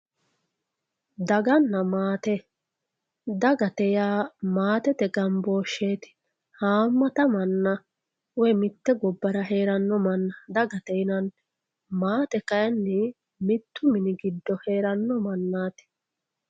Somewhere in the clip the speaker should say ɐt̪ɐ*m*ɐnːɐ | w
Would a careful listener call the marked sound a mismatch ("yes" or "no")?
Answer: no